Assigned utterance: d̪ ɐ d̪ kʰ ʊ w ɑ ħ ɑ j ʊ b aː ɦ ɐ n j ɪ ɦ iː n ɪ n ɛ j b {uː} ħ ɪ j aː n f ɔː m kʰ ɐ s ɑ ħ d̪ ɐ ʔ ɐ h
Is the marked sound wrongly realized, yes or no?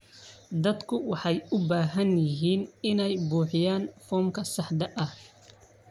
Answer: no